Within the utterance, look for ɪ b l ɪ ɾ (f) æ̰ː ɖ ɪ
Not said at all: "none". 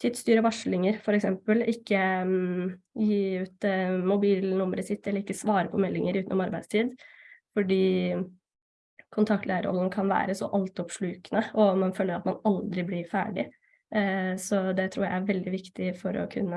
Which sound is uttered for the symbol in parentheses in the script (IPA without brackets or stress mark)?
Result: f